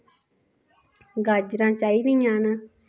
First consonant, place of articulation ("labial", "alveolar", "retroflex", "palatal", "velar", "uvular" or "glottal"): velar